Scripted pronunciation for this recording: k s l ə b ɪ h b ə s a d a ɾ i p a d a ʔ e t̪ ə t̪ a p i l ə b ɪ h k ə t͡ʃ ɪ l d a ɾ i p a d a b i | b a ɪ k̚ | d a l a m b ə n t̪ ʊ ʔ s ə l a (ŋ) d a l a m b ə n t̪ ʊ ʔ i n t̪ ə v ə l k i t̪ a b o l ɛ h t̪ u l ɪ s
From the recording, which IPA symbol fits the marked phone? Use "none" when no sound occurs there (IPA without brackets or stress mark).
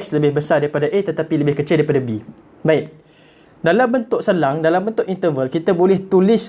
ŋ